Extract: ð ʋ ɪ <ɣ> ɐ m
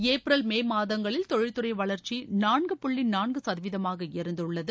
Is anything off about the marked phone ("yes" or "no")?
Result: yes